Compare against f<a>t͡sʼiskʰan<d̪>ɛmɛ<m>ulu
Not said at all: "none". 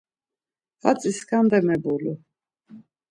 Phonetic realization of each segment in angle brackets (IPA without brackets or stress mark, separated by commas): a, d̪, b